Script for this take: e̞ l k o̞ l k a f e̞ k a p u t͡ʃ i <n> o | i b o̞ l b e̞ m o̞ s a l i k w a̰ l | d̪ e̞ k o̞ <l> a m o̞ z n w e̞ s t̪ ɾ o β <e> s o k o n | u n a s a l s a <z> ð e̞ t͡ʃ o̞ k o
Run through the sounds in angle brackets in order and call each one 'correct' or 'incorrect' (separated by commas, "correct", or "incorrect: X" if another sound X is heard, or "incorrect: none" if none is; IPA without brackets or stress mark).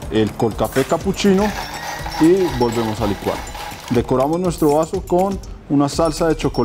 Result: correct, incorrect: ɾ, incorrect: a, incorrect: none